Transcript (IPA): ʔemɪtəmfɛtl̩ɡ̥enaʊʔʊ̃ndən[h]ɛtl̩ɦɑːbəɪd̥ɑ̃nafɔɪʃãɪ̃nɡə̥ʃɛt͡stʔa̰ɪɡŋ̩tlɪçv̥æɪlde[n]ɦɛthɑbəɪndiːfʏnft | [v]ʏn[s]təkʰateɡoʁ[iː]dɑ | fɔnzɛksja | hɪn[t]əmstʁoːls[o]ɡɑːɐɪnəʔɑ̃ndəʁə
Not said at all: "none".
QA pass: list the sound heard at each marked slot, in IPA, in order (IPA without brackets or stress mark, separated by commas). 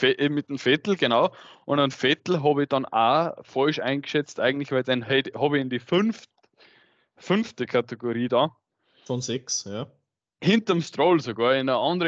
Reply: f, n, f, f, iː, t, o